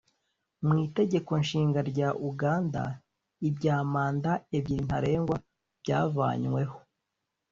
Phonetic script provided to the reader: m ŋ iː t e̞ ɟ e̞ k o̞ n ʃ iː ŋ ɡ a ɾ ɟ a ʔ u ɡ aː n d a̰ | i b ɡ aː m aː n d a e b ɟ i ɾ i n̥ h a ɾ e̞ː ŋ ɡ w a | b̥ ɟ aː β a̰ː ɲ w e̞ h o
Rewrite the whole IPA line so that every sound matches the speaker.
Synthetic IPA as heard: m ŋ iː t e̞ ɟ e̞ k o̞ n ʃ iː ŋ ɡ a ɾ ɟ a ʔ u ɡ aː n d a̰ | i b ɟ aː m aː n d a e b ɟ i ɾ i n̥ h a ɾ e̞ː ŋ ɡ w a | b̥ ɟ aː v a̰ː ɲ w e̞ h o